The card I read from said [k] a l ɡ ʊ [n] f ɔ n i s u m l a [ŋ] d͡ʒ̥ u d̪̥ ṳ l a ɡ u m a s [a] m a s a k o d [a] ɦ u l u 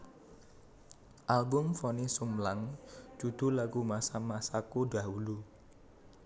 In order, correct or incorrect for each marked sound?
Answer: incorrect: ʔ, incorrect: m, correct, correct, correct

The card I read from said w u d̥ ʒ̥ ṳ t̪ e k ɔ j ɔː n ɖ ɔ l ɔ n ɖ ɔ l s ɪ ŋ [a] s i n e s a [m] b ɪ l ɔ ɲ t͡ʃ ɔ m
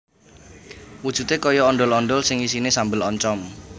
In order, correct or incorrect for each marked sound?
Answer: incorrect: i, correct

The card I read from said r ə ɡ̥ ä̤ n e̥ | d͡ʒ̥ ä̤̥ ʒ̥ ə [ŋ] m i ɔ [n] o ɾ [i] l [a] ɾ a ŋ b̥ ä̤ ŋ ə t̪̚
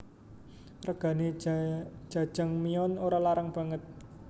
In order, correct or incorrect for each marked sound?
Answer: correct, correct, incorrect: a, correct

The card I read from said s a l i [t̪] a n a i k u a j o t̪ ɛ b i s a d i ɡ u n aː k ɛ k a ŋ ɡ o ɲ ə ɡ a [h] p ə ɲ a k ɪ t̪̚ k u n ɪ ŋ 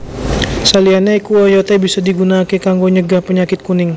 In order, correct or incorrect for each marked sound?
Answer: incorrect: none, correct

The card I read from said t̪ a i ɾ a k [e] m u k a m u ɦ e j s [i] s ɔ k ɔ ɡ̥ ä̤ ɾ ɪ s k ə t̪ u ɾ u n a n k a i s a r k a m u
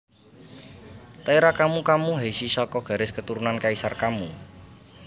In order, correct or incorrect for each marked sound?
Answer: incorrect: a, correct

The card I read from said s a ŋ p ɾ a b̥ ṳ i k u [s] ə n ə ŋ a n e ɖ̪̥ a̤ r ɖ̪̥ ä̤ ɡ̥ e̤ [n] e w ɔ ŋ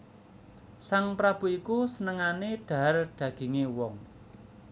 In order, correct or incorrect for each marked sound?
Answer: correct, incorrect: ŋ

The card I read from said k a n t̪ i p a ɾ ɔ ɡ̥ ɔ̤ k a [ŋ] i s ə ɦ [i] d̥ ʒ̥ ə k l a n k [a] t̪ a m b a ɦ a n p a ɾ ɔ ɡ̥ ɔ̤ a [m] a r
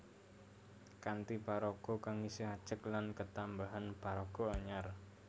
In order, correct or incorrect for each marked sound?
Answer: correct, incorrect: a, incorrect: ə, incorrect: ɲ

